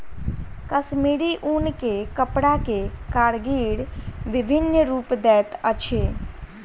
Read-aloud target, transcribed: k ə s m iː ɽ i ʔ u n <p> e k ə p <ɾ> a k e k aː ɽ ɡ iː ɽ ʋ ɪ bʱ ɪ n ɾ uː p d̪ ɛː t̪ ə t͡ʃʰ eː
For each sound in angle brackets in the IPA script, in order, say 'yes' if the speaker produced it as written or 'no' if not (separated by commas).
no, no